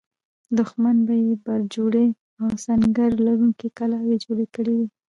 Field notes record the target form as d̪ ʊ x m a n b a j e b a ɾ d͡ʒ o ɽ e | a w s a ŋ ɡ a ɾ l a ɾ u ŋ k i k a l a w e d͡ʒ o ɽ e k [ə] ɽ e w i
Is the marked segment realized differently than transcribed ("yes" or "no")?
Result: no